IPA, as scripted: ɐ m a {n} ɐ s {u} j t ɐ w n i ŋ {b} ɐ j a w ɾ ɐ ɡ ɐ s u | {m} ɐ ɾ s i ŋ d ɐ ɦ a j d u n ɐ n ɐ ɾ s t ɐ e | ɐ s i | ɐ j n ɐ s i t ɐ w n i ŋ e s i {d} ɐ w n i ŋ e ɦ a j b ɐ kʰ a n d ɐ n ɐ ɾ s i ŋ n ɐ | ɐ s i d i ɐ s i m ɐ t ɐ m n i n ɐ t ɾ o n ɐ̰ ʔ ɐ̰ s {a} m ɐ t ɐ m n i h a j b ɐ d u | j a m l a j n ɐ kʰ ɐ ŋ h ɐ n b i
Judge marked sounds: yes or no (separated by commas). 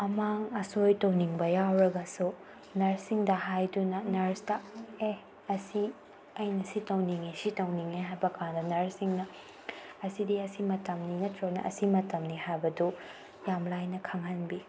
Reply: no, no, yes, no, no, no